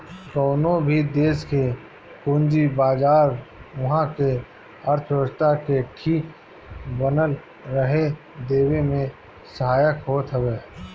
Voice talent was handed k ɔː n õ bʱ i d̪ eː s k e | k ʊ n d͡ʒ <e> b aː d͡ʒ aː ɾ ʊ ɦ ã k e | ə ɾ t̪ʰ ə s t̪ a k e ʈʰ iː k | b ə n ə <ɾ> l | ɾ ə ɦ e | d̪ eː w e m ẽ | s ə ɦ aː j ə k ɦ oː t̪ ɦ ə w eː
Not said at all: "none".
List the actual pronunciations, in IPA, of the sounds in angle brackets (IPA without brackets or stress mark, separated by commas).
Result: i, none